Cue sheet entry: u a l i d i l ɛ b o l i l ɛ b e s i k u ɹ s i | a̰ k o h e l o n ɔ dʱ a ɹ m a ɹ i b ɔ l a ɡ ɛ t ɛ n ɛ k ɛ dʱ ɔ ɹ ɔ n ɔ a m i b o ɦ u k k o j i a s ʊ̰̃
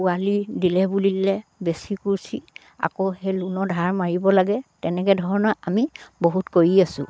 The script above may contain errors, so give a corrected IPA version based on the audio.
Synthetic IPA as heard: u a l i d i l ɛ b u l i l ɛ b e s i k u ɹ s i | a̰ k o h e l u n ɔ dʱ a ɹ m a ɹ i b ɔ l a ɡ ɛ t ɛ n ɛ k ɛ dʱ ɔ ɹ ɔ n ɔ a m i b o ɦ u t k o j i a s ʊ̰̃